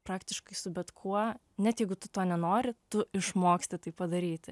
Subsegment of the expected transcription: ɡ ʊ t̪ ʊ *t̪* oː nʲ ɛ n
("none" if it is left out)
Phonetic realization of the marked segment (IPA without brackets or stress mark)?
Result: t̪